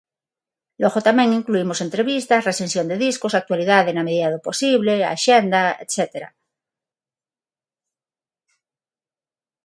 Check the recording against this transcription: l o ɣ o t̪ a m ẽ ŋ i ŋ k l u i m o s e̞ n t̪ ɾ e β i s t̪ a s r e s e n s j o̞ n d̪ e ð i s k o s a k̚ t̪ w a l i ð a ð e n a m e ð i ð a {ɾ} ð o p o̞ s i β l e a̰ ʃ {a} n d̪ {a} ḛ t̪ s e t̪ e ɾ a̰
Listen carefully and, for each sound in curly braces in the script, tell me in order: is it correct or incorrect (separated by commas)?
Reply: incorrect, incorrect, correct